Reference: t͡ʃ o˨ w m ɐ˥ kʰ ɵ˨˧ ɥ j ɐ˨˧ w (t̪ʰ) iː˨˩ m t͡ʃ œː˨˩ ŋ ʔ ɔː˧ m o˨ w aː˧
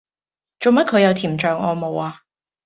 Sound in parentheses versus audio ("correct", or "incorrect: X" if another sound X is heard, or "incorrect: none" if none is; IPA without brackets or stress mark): correct